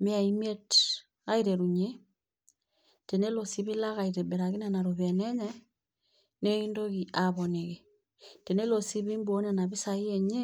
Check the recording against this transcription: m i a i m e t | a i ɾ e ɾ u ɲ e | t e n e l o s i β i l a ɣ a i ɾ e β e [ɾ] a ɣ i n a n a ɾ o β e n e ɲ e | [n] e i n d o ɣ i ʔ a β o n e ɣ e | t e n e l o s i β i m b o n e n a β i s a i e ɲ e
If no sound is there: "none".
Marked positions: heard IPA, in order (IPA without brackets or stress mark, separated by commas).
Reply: ɾ, n